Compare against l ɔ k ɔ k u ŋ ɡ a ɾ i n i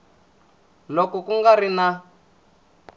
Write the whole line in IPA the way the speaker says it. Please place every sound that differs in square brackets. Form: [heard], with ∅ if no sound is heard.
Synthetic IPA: l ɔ k ɔ k u ŋ ɡ a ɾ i n [a]